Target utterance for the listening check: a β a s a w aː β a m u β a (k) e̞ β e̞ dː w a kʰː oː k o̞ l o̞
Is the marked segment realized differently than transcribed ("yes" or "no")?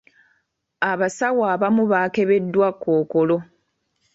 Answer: no